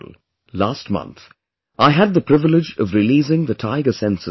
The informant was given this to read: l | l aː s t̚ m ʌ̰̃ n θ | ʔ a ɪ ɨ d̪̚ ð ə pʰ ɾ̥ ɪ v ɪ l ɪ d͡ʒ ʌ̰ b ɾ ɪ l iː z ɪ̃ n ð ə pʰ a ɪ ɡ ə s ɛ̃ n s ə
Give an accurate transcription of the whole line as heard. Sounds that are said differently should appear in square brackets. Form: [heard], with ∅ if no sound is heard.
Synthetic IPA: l | l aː s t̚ m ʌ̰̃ n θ | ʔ a ɪ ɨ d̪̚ ð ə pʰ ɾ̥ ɪ v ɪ l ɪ d͡ʒ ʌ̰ [v] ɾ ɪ l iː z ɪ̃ [ŋ] ð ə [tʰ] a ɪ ɡ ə s ɛ̃ n s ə